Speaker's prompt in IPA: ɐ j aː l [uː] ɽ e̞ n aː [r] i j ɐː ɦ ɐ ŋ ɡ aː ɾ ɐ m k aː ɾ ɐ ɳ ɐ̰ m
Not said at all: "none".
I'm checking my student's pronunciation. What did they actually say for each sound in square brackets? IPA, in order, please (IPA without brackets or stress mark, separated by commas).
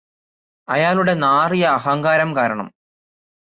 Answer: u, r